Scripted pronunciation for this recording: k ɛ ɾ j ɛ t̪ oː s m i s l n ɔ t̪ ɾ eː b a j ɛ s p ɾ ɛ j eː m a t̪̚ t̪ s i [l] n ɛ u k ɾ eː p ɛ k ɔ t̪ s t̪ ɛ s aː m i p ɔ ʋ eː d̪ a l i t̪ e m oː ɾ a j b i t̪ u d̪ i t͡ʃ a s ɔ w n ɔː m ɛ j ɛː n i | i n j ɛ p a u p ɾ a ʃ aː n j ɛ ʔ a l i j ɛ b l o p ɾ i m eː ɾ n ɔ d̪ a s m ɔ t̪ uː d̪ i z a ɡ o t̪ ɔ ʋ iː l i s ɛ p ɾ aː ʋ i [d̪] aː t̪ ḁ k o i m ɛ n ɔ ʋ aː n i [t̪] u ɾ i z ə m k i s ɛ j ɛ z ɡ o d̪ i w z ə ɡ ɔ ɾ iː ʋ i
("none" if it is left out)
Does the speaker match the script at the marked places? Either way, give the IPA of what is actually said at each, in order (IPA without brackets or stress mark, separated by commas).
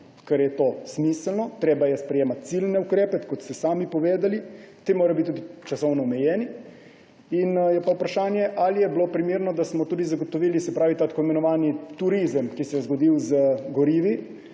l, t̪, t̪